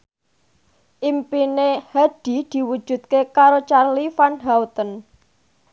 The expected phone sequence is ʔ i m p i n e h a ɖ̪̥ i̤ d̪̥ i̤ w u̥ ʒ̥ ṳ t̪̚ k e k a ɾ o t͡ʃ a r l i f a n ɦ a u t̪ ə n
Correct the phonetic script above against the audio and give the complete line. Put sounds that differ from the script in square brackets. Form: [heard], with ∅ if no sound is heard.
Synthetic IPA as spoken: ʔ i m p i n e h a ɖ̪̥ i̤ d̪̥ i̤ w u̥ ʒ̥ ṳ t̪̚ k e k a ɾ o t͡ʃ a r l i f a n ɦ a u t̪ ə n